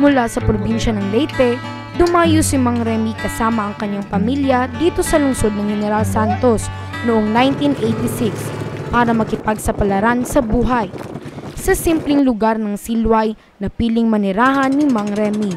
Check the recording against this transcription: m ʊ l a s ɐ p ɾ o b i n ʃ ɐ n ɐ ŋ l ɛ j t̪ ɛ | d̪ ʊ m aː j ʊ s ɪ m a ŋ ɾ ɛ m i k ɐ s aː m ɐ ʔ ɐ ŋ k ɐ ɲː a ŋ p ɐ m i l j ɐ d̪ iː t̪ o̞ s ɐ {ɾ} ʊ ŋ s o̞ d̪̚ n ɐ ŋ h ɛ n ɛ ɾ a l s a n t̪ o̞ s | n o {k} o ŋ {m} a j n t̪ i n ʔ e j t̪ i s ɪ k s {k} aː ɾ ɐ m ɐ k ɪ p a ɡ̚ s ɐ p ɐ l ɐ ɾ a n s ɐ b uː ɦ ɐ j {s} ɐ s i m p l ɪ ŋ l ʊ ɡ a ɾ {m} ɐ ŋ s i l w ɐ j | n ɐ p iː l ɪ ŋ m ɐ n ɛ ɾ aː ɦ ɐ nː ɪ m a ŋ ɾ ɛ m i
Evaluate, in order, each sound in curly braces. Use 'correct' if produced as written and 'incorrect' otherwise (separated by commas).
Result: incorrect, incorrect, incorrect, incorrect, correct, incorrect